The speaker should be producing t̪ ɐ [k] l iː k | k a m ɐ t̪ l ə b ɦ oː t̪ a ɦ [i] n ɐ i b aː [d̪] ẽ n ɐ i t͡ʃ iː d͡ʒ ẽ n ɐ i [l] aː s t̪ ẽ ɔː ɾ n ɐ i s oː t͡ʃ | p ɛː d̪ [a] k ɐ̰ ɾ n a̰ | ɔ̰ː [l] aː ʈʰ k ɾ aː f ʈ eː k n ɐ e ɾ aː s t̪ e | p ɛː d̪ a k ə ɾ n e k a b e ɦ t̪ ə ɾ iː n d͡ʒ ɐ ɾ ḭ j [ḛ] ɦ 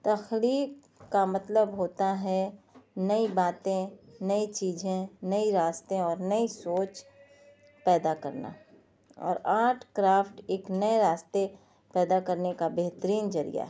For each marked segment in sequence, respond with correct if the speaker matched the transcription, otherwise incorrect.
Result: incorrect: x, incorrect: ɛ, incorrect: t̪, incorrect: ɾ, correct, incorrect: ɾ, incorrect: a̰

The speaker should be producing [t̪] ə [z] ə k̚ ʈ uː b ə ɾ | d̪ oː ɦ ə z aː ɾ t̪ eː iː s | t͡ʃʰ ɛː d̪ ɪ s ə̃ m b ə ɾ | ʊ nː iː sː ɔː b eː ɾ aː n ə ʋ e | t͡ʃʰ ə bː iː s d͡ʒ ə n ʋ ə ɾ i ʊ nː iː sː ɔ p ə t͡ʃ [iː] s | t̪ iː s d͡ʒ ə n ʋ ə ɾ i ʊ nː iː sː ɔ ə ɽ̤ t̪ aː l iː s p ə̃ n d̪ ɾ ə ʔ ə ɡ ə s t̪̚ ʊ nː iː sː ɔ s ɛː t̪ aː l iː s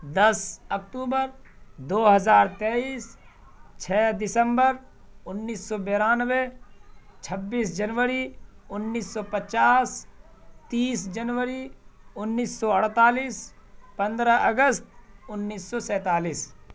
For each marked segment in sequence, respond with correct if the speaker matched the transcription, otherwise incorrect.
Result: incorrect: d̪, incorrect: s, incorrect: aː

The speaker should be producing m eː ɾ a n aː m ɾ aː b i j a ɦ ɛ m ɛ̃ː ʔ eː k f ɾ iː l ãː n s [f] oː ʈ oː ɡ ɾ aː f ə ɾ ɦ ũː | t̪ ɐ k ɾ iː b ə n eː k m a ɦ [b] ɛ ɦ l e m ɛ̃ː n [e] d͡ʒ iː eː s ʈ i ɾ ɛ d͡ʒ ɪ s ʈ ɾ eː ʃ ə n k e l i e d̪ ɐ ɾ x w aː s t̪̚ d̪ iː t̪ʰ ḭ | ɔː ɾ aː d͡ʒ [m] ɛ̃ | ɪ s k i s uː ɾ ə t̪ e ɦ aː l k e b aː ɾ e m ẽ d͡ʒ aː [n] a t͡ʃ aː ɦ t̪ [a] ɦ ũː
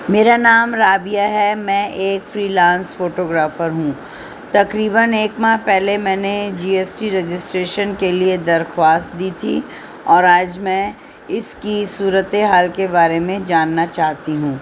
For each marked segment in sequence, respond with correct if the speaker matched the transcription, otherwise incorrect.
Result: correct, incorrect: p, correct, correct, incorrect: nː, incorrect: i

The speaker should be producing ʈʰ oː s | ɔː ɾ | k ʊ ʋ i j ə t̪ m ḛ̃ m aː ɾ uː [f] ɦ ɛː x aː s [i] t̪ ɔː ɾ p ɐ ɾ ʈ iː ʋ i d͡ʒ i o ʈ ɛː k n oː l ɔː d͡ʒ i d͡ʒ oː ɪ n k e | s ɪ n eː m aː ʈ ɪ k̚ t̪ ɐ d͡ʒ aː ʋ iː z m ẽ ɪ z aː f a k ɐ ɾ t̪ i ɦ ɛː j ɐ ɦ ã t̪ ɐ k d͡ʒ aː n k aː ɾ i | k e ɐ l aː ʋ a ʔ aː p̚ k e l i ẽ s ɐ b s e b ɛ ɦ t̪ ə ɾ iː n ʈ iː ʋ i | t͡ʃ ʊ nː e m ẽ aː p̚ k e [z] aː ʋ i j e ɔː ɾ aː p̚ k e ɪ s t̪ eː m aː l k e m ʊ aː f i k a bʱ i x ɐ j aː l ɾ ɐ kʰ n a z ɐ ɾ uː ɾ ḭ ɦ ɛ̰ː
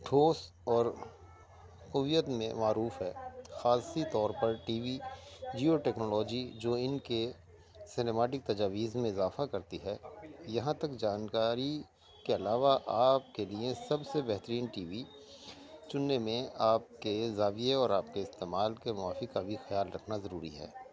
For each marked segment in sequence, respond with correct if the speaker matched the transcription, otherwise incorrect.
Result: correct, correct, correct

